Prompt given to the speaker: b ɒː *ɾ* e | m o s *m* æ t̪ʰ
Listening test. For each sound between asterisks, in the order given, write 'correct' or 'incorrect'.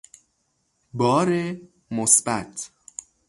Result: correct, incorrect: b

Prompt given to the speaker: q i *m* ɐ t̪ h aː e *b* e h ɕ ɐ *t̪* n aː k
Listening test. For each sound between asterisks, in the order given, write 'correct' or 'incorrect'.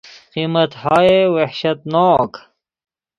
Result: correct, incorrect: w, correct

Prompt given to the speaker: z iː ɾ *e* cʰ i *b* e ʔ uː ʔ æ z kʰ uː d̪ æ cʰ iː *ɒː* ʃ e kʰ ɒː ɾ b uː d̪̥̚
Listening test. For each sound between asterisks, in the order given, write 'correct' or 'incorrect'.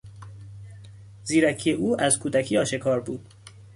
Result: incorrect: æ, incorrect: none, correct

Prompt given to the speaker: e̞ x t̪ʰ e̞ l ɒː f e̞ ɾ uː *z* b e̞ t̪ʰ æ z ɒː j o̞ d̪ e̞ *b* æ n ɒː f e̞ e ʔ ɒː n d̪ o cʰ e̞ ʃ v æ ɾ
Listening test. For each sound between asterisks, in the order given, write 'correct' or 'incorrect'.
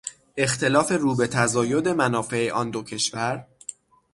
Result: incorrect: none, incorrect: m

